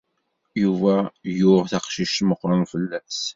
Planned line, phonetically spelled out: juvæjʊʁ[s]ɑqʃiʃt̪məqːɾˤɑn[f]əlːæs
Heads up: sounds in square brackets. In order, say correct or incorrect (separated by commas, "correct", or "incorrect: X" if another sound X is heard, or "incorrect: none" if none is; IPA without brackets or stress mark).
incorrect: θ, correct